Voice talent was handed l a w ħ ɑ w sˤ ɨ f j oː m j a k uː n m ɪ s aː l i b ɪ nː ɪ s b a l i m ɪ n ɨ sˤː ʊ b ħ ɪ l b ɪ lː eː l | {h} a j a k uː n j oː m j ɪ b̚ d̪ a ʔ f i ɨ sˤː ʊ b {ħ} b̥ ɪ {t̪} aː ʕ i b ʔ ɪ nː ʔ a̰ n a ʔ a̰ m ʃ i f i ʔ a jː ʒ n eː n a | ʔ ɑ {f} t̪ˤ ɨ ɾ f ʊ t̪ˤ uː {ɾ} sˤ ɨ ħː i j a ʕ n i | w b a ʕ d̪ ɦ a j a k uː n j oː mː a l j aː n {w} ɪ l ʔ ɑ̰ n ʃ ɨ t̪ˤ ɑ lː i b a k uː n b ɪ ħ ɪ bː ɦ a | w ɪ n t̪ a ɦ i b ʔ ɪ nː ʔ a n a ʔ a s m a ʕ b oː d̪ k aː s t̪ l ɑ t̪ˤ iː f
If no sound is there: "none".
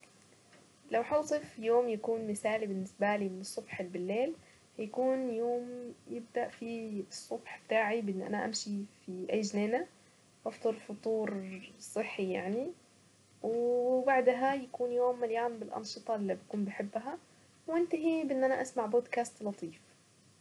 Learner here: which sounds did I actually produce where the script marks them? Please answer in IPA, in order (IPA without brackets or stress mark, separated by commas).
h, ħ, t̪, f, ɾ, b